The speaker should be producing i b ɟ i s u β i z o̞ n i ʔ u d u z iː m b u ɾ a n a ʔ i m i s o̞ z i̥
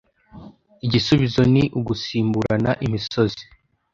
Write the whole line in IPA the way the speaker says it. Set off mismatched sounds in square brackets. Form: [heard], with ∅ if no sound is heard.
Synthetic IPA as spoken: i [∅] ɟ i s u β i z o̞ n i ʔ u [ɡ] u [s] iː m b u ɾ a n a ʔ i m i s o̞ z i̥